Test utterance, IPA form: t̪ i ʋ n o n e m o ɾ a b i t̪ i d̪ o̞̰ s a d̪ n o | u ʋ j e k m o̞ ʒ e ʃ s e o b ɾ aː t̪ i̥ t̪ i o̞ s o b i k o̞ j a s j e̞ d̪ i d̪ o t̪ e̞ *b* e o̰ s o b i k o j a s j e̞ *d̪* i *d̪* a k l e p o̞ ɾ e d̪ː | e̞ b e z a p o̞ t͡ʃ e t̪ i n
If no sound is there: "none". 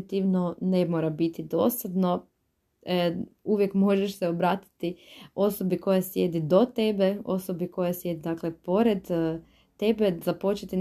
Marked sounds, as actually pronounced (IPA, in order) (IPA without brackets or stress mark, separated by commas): b, d̪, d̪